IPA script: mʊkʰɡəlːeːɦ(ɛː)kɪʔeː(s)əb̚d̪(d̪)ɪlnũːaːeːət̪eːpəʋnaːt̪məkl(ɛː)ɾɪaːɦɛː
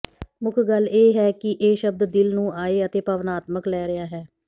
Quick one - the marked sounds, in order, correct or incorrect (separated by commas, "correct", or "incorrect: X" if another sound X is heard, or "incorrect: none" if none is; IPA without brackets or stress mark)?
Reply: correct, incorrect: ʃ, correct, correct